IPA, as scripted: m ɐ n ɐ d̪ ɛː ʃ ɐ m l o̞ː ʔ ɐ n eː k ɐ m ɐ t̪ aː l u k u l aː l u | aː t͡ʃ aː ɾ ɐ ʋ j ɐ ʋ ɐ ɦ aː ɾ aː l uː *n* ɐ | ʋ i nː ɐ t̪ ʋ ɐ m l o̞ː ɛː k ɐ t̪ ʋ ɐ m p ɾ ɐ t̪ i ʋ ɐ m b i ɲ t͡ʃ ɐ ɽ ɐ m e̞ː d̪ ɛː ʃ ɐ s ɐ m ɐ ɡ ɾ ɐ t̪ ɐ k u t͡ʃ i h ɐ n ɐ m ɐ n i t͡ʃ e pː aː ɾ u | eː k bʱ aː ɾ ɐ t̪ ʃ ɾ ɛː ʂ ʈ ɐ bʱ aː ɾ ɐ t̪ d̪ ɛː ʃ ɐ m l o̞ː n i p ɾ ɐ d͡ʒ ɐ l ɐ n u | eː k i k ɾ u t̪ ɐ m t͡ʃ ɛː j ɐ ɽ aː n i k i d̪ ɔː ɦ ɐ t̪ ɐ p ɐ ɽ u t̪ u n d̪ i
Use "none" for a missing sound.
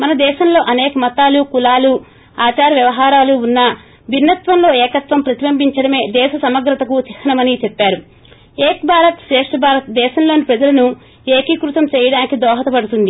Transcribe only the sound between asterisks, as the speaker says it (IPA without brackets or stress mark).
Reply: nː